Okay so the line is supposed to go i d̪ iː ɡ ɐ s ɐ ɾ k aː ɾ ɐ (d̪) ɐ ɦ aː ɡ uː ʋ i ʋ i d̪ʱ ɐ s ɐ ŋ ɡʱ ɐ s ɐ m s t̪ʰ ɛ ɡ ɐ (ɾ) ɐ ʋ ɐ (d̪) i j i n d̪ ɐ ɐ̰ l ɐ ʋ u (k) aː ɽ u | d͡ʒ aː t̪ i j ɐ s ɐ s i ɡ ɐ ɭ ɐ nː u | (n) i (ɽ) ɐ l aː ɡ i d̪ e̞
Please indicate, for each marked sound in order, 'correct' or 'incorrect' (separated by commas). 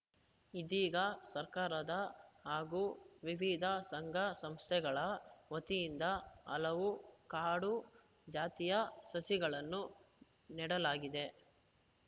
correct, incorrect, incorrect, correct, correct, correct